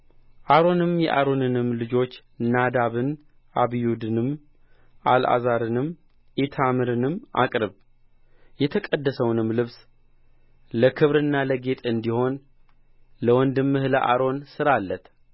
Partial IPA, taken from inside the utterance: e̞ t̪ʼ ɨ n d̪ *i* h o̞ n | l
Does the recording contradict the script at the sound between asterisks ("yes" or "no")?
no